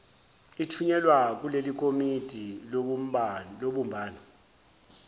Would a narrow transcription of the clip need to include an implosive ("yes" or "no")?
yes